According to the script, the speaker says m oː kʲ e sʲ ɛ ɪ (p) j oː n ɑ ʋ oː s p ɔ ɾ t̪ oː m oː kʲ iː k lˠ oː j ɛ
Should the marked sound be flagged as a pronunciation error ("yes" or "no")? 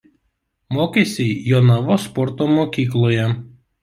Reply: yes